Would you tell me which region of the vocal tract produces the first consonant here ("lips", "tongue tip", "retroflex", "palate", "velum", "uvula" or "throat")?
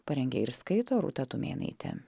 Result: lips